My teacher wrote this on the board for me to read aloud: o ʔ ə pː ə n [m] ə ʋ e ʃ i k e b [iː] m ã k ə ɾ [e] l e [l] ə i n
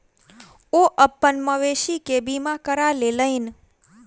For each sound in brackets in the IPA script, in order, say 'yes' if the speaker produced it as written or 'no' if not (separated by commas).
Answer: yes, no, no, yes